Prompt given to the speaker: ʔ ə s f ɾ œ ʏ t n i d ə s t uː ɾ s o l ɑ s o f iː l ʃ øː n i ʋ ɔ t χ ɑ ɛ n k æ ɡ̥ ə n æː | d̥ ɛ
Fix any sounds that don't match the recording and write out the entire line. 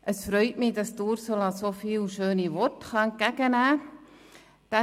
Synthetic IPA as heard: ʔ ə s f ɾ œ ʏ t m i d ɑ s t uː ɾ s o l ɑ s o f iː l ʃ øː n i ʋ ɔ t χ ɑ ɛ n k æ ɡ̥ ə n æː | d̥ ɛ